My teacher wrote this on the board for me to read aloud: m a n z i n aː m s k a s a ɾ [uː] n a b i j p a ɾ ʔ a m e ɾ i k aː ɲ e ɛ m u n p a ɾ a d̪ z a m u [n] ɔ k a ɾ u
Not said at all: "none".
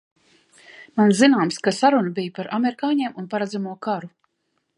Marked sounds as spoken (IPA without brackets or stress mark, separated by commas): u, none